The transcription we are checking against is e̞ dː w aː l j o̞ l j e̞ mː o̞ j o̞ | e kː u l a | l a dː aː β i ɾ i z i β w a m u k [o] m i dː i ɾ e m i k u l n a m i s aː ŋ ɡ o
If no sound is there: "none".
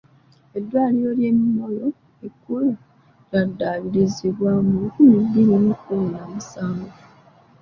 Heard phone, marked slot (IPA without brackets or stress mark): u